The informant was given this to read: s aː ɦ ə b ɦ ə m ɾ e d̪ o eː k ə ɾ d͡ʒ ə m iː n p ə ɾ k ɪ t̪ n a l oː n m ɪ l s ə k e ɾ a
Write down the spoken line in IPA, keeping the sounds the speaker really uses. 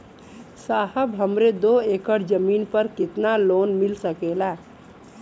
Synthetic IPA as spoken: s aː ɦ ə b ɦ ə m ɾ e d̪ o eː k ə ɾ d͡ʒ ə m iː n p ə ɾ k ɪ t̪ n a l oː n m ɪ l s ə k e l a